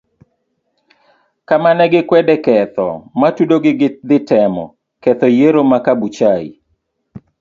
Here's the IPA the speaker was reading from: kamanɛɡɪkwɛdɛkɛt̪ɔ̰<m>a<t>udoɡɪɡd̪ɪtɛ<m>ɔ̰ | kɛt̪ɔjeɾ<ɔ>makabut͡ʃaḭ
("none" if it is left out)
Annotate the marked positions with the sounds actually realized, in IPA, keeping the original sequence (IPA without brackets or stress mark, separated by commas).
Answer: m, t, m, o